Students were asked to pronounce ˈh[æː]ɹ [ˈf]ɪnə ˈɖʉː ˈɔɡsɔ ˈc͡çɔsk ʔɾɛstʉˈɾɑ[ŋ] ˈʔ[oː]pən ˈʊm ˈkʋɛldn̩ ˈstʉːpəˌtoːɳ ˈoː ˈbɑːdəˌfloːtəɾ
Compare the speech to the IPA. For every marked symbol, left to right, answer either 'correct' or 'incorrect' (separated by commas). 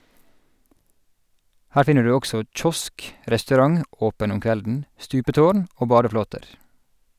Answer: correct, correct, correct, correct